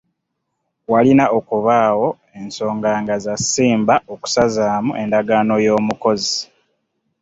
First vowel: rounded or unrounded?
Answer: unrounded